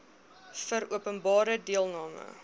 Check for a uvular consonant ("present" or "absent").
absent